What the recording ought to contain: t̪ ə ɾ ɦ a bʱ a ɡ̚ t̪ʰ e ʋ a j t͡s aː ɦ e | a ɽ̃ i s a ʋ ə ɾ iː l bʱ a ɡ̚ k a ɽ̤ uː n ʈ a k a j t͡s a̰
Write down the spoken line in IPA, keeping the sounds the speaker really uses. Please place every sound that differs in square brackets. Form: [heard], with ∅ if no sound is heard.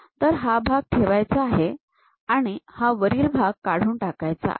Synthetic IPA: t̪ ə ɾ ɦ a bʱ a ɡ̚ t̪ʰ e ʋ a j t͡s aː ɦ e | a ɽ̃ i [h] a ʋ ə ɾ iː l bʱ a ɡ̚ k a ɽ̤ uː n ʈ a k a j t͡s a̰